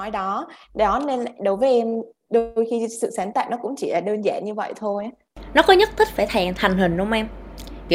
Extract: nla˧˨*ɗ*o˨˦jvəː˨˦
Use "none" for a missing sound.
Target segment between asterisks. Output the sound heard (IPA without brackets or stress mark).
ɗ